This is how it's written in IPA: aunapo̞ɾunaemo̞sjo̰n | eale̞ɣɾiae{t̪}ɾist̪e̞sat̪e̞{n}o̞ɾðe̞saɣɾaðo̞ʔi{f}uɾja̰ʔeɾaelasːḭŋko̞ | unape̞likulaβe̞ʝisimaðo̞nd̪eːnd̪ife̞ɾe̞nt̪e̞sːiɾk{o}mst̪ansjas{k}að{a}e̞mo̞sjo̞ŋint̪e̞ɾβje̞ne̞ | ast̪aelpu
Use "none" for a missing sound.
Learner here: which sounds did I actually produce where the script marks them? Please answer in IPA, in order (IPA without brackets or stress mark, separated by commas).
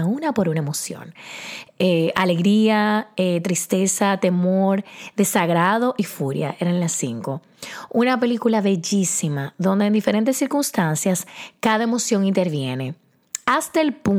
t̪, m, f, u, k, a